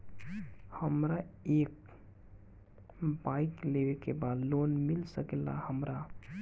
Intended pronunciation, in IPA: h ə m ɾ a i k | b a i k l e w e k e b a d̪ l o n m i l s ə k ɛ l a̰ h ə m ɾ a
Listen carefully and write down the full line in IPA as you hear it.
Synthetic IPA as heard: h ə m ɾ a e k | b a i k l e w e k e b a d̪ l o n m i l s ə k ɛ l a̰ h ə m ɾ a